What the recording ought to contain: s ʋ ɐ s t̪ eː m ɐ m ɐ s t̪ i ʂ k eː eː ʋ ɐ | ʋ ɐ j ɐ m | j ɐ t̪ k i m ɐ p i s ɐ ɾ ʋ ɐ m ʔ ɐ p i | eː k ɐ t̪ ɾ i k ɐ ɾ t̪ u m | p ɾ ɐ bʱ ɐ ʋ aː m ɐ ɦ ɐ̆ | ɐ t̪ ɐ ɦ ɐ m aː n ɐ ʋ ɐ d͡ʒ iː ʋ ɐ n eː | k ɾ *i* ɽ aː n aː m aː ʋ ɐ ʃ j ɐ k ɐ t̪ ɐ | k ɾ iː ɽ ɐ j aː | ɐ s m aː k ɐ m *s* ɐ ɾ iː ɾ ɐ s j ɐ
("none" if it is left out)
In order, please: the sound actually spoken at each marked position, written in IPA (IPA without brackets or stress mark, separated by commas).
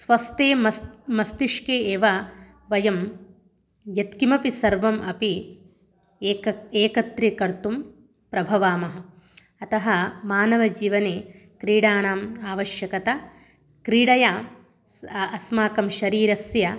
iː, ʃ